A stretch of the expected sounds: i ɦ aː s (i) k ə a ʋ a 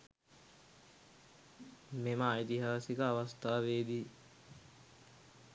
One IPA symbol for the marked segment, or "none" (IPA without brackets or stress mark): i